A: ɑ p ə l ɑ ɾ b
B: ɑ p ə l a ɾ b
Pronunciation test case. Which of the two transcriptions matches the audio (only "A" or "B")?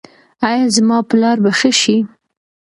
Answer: A